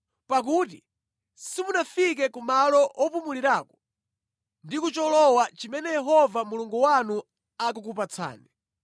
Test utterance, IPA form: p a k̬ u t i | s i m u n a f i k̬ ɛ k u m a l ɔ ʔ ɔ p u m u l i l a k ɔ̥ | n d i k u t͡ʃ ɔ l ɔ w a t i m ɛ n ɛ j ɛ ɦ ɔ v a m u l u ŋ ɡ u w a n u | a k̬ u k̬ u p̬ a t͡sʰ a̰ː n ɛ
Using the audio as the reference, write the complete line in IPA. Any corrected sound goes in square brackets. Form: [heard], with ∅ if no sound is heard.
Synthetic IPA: p a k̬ u t i | s i m u n a f i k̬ ɛ k u m a l ɔ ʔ ɔ p u m u l i [ɾ] a k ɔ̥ | n d i k u t͡ʃ ɔ l ɔ w a [t͡ʃ] i m ɛ n ɛ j ɛ ɦ ɔ v a m u l u ŋ ɡ u w a n u | a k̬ u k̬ u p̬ a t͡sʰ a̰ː n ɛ